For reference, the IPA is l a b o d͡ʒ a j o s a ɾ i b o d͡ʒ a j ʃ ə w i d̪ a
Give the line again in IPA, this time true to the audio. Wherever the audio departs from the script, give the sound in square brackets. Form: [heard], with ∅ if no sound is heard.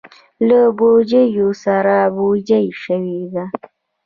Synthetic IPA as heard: l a b o d͡ʒ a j o s a ɾ [a] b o d͡ʒ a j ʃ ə w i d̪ a